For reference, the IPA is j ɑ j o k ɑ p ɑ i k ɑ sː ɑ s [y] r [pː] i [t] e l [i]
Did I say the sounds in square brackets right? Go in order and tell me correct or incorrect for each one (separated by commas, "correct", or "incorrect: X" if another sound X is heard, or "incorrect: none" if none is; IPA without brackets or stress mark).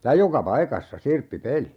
incorrect: i, correct, incorrect: p, correct